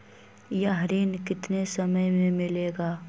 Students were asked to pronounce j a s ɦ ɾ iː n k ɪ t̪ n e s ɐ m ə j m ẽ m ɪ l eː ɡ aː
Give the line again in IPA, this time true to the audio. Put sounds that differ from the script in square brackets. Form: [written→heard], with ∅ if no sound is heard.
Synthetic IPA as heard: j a [s→∅] ɦ ɾ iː n k ɪ t̪ n e s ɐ m ə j m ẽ m ɪ l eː ɡ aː